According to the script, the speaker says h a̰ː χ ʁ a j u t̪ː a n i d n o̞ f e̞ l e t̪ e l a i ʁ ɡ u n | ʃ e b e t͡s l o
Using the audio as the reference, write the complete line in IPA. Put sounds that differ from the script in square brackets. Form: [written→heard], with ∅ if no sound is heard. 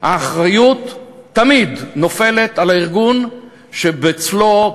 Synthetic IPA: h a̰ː χ ʁ a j u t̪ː a [n→m] i d n o̞ f e̞ l e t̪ [e→a] l a i ʁ ɡ u n | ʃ e b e t͡s l o

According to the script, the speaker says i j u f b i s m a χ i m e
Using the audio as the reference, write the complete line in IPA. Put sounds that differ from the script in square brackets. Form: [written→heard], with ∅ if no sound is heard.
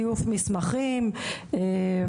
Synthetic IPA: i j u f [b→m] i s m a χ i m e

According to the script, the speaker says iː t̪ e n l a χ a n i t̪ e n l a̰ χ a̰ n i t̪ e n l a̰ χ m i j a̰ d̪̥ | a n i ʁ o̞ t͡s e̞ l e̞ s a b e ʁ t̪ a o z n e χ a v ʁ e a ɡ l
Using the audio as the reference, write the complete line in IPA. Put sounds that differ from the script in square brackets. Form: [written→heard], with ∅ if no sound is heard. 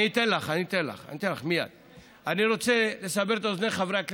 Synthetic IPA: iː t̪ e n l a χ a n i t̪ e n l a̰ χ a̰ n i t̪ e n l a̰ χ m i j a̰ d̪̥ | a n i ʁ o̞ t͡s e̞ l e̞ s a b e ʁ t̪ a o z n e χ a v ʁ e a [ɡ→k] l

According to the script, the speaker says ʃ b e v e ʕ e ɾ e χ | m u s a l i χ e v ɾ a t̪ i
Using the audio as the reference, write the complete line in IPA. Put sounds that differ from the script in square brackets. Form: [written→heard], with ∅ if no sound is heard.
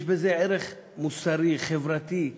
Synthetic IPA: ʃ b e [v→z] e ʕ e ɾ e χ | m u s a [l→ɾ] i χ e v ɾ a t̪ i

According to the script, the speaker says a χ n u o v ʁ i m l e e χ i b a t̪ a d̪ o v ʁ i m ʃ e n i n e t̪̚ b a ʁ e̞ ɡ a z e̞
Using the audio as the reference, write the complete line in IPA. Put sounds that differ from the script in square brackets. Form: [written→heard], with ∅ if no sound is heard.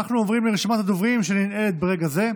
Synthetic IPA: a χ n u o v ʁ i m l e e [χ→ʃ] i [b→m] a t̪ a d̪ o v ʁ i m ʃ e n i n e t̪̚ b [a→e] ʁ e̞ ɡ a z e̞

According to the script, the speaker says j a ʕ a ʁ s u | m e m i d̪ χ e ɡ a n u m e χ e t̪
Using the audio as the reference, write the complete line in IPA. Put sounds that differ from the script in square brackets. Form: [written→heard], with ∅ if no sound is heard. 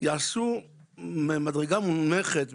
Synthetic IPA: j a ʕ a [ʁ→∅] s u | m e m [i→a] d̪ [χ→ʁ] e ɡ a [n→m] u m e χ e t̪

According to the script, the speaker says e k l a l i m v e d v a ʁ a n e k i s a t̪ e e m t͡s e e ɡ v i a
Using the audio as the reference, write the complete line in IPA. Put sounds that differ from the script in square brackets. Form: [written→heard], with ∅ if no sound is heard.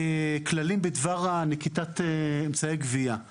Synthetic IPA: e k l a l i m [v→b] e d v a ʁ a n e k i [s→t] a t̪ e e m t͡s [e→a] e ɡ v i a

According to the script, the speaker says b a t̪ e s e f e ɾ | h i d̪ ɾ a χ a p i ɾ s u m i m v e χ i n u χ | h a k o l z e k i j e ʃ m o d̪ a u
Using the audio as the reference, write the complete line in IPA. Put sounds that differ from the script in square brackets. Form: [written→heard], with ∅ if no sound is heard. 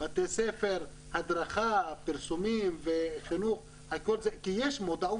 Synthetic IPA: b a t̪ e s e f e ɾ | h [i→a] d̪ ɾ a χ a p i ɾ s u m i m v e χ i n u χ | h a k o l z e k i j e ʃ m o d̪ a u

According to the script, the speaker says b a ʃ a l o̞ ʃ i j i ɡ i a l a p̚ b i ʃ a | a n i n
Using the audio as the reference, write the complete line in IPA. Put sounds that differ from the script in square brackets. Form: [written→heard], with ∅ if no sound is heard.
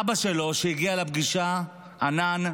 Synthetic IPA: b a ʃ [a→e] l o̞ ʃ [i→e] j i ɡ i a l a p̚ [b→ɡ] i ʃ a | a n [i→a] n

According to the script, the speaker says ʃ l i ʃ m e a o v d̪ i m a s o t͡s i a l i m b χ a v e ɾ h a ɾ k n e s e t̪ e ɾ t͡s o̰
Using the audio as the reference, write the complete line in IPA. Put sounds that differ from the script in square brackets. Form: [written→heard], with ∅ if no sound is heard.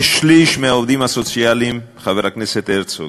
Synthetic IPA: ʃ l i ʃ m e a o v d̪ i m a s o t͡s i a l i m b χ a v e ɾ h a [ɾ→∅] k n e s e t̪ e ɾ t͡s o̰

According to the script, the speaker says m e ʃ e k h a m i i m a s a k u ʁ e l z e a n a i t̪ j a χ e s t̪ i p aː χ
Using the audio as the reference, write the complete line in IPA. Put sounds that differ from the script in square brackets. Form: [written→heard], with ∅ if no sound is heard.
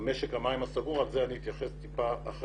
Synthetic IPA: m e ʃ e k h a m [i→a] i m a s a [k→ɡ] u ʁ [e→a] l z e a n [a→i] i t̪ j a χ e s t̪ i p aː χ

